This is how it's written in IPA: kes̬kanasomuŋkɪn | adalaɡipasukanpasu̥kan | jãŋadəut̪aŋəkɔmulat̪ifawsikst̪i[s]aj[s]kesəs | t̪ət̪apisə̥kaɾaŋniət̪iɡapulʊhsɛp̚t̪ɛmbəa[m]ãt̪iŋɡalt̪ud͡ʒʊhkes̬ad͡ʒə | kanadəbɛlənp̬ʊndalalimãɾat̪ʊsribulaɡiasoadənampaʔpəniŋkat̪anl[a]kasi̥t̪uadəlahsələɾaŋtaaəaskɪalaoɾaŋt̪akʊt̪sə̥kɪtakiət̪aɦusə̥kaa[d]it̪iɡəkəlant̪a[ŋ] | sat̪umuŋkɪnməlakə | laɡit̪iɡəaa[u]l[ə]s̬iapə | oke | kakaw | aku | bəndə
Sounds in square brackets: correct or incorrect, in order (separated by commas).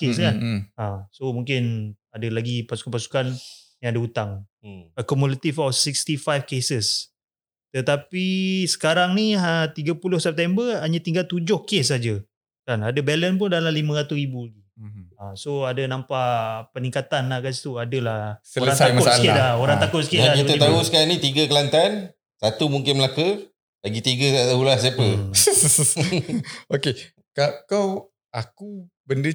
incorrect, incorrect, incorrect, correct, incorrect, incorrect, correct, incorrect